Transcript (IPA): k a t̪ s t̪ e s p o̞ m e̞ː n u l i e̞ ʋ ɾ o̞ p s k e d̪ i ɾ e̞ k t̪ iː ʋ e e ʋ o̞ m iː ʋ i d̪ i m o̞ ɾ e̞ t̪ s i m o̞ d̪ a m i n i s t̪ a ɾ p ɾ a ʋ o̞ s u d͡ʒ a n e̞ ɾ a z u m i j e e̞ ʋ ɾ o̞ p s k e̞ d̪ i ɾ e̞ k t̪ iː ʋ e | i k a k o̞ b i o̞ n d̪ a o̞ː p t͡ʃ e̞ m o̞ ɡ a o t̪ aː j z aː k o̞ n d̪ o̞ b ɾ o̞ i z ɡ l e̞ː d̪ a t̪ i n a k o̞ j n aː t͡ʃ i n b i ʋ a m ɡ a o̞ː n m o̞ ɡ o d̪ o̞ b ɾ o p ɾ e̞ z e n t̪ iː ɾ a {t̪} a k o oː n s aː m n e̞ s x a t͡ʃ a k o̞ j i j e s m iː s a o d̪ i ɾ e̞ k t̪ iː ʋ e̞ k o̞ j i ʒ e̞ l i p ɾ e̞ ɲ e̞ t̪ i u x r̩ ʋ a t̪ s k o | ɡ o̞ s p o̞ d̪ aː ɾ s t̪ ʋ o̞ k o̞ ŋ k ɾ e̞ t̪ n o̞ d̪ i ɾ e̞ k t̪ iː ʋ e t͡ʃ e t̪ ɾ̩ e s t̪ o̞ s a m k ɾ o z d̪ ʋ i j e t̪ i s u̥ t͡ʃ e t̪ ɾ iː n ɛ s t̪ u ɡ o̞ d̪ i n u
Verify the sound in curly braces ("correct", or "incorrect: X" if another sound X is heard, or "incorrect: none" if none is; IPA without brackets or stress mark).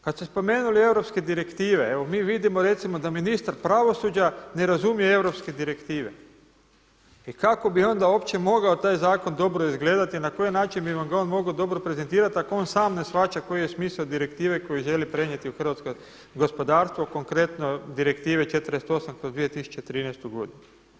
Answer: correct